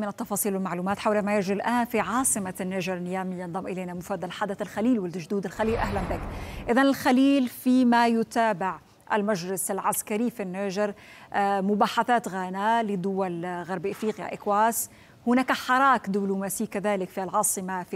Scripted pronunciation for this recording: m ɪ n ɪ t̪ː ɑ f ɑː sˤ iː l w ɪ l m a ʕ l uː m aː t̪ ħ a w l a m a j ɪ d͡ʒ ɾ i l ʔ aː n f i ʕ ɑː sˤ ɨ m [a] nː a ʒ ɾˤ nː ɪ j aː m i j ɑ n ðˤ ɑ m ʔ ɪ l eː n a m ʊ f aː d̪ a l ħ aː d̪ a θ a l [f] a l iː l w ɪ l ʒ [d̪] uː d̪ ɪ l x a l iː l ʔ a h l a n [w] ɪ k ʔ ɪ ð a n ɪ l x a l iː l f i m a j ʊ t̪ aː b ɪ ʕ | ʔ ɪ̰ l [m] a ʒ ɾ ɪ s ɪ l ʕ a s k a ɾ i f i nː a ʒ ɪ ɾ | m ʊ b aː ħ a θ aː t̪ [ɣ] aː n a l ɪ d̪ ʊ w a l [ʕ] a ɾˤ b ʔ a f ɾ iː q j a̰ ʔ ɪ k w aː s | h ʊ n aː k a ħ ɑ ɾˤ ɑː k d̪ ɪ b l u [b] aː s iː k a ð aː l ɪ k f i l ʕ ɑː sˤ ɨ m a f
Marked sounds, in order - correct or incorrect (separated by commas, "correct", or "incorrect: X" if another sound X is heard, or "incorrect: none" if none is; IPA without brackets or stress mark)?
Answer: correct, incorrect: x, correct, incorrect: b, correct, correct, incorrect: ɣ, incorrect: m